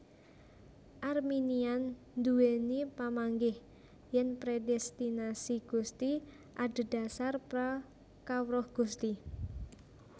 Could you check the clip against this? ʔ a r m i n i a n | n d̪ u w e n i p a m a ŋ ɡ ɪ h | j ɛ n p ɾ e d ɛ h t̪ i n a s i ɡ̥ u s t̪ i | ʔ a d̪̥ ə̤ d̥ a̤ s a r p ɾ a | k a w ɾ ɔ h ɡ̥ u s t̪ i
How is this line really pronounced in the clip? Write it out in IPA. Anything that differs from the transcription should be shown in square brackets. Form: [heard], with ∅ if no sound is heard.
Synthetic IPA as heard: ʔ a r m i n i a n | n d̪ u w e n i p a m a ŋ ɡ ɪ h | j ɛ n p ɾ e d ɛ [s] t̪ i n a s i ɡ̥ u s t̪ i | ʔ a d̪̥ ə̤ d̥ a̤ s a r p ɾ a | k a w ɾ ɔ h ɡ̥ u s t̪ i